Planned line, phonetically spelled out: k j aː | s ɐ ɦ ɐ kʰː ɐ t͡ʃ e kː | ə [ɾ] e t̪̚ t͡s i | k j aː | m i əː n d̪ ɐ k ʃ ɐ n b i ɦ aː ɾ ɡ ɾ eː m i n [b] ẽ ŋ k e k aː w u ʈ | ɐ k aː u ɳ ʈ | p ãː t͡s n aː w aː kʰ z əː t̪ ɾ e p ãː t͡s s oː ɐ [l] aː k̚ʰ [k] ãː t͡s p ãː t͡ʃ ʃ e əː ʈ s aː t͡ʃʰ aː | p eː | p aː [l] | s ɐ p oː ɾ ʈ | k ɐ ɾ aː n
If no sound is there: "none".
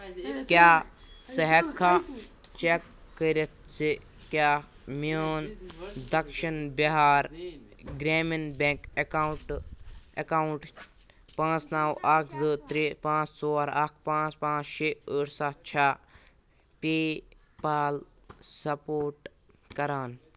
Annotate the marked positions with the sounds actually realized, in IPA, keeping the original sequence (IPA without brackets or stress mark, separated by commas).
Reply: ɾ, b, ɾ, p, l